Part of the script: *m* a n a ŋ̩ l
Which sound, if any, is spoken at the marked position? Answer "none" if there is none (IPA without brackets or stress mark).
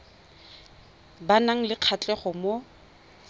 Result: b